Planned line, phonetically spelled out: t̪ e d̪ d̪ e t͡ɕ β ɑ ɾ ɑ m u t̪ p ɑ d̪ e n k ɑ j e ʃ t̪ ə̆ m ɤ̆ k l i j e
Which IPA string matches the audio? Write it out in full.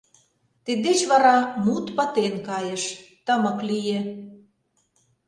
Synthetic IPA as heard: t̪ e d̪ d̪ e t͡ɕ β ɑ ɾ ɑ m u t̪ p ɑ t̪ e n k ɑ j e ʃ t̪ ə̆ m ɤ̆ k l i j e